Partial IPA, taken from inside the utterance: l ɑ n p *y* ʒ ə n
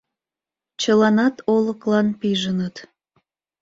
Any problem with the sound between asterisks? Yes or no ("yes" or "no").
yes